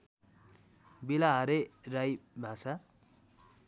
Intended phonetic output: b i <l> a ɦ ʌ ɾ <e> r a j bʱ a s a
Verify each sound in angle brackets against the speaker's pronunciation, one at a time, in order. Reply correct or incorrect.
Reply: correct, correct

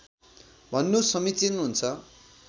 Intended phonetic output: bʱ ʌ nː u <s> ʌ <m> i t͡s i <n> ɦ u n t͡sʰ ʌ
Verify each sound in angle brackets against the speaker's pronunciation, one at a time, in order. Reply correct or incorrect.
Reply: correct, correct, correct

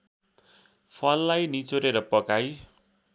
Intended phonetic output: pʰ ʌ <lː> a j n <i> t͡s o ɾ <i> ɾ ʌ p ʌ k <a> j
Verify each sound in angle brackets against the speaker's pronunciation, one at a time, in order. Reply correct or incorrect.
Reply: correct, correct, incorrect, correct

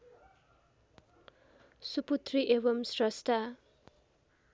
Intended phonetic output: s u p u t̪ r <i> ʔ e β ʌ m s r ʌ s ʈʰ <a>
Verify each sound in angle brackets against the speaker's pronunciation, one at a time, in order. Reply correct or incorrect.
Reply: correct, correct

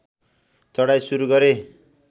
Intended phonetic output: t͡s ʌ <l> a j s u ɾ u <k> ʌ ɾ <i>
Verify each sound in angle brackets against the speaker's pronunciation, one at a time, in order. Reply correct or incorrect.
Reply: incorrect, incorrect, incorrect

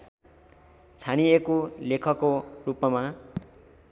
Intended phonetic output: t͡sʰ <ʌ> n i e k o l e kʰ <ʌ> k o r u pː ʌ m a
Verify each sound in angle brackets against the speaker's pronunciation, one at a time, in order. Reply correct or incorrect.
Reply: incorrect, correct

